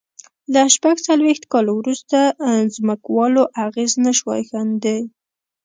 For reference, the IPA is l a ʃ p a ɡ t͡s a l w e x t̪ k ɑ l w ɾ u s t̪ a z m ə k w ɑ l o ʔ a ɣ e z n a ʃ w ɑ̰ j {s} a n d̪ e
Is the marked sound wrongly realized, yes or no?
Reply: yes